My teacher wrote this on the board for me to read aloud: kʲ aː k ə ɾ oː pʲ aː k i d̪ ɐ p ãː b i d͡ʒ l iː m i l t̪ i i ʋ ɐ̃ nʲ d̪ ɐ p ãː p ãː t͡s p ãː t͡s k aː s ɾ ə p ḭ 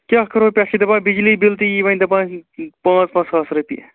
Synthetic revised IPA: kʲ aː k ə ɾ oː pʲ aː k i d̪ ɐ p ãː b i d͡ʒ l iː b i l t̪ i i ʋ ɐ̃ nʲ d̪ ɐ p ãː p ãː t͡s p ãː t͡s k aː s ɾ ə p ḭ